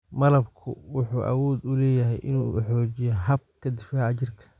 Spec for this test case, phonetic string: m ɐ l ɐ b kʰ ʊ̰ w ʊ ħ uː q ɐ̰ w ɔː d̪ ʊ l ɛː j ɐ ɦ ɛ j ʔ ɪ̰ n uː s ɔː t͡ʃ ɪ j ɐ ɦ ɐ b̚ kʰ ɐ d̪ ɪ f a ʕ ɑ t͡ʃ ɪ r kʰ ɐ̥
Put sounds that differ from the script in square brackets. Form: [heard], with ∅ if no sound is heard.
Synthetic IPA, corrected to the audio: m ɐ l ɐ b kʰ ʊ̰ w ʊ ħ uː [ʔ] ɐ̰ w ɔː d̪ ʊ l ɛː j ɐ ɦ ɛ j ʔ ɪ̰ n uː [ħ] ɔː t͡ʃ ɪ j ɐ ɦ ɐ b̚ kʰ ɐ d̪ ɪ f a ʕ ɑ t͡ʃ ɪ r kʰ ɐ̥